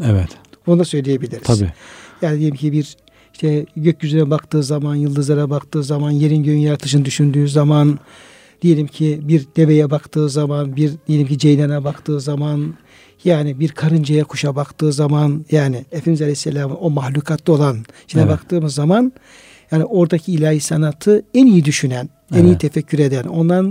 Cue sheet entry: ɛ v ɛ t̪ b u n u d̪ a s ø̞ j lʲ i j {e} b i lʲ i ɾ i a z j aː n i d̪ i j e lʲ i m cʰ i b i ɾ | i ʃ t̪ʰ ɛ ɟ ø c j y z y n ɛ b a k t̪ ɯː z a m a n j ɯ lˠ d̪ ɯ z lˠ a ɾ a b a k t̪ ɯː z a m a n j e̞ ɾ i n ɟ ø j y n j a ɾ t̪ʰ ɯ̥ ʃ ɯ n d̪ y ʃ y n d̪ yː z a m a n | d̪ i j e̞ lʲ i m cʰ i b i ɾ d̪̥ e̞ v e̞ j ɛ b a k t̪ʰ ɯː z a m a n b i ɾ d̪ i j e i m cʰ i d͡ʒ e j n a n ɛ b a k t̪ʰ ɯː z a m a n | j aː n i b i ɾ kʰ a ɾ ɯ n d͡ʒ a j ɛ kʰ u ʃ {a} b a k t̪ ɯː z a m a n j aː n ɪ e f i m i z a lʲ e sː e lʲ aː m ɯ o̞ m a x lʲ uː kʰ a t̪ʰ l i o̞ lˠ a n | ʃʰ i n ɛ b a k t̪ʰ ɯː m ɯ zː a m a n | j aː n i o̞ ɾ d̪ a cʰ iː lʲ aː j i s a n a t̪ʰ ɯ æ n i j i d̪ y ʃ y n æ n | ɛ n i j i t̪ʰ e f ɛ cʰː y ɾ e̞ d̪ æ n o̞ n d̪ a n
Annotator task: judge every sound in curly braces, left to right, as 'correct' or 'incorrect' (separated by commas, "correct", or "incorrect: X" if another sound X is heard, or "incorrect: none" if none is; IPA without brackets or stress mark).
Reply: correct, correct